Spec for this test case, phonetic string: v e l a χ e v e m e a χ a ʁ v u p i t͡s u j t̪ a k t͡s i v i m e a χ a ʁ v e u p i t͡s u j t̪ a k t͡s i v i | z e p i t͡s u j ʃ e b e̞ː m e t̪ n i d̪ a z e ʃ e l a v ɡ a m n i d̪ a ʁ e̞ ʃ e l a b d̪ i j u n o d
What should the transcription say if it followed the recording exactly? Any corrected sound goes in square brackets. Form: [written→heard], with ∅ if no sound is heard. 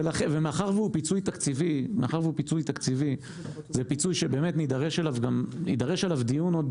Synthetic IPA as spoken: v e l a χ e v e m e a χ a ʁ v u p i t͡s u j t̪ a k t͡s i v i m e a χ a ʁ v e u p i t͡s u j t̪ a k t͡s i v i | z e p i t͡s u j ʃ e b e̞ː m e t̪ n i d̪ a [z→ʁ] e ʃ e l a v ɡ a m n i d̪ a ʁ e̞ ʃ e l a [b→v] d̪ i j u n o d